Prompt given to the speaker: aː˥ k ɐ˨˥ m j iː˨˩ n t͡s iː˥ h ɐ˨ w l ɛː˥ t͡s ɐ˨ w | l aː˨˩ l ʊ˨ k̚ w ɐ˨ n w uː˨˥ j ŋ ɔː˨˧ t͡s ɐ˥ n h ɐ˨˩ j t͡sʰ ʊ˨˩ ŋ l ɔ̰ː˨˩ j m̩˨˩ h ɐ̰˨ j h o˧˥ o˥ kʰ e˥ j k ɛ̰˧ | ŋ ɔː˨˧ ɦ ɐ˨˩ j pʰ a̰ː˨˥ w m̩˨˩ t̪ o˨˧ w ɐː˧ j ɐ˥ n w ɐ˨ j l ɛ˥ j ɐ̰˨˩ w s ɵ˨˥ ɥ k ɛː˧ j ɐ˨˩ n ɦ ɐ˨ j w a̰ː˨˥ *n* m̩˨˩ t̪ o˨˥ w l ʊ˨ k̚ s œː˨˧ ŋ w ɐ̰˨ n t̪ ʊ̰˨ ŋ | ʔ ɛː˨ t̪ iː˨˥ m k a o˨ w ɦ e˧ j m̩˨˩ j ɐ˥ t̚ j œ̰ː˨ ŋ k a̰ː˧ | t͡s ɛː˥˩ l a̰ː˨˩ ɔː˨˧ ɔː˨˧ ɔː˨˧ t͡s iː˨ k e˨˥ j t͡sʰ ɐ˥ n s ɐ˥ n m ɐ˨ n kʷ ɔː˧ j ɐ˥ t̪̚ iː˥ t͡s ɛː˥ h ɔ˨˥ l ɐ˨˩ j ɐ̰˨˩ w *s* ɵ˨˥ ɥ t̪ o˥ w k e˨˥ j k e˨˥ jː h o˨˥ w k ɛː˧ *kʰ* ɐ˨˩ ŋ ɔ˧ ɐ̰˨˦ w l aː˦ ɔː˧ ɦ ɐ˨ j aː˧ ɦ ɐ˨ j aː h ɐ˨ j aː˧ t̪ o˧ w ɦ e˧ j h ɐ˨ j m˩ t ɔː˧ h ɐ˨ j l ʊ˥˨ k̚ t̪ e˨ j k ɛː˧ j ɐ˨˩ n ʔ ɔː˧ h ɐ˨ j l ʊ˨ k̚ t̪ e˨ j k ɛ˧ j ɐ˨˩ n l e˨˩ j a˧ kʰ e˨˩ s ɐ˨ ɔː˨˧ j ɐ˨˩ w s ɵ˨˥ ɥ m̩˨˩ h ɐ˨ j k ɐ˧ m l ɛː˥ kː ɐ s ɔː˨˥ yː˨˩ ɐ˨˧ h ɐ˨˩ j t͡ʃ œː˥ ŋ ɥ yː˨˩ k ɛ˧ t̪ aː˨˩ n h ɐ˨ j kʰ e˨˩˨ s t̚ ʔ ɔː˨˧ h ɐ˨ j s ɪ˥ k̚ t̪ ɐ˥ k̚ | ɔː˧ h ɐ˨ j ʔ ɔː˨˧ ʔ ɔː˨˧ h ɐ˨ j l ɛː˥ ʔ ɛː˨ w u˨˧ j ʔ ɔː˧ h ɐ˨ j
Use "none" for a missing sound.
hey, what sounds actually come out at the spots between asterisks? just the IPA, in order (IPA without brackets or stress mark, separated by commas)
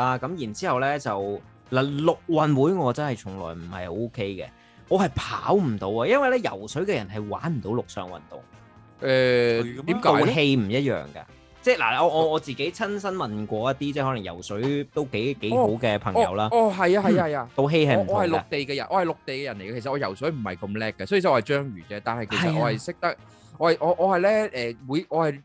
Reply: n, s, pʰ